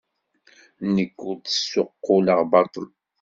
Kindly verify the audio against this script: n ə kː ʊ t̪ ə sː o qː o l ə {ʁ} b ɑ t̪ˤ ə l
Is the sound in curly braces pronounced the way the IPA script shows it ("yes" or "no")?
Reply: yes